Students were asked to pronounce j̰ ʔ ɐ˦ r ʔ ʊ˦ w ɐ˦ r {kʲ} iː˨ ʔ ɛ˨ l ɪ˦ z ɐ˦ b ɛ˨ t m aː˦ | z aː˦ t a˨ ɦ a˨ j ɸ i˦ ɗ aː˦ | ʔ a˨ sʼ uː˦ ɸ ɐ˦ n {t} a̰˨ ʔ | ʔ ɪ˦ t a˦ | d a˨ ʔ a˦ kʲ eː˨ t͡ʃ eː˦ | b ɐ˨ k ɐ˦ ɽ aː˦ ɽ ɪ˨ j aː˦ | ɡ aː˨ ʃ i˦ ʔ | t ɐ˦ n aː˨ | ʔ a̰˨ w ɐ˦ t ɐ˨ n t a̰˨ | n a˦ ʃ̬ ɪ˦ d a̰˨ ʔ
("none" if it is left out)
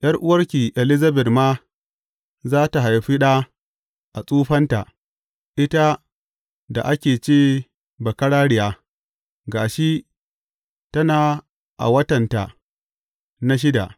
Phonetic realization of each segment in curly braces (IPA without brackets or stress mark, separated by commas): kʲ, t